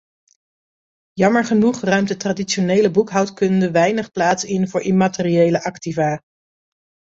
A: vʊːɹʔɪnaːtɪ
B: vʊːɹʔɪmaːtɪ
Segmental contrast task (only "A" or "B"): B